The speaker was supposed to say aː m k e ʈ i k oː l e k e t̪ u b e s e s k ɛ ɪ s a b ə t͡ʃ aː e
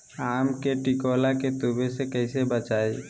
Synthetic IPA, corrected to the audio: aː m k e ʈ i k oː l a k e t̪ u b e s e k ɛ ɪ s e b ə t͡ʃ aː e